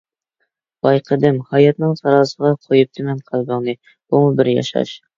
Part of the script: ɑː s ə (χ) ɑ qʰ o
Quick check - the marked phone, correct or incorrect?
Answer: incorrect